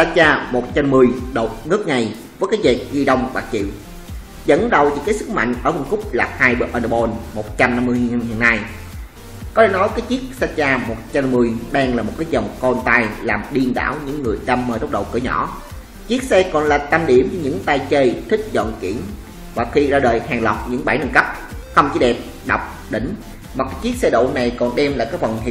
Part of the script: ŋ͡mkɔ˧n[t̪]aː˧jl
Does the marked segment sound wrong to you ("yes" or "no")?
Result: no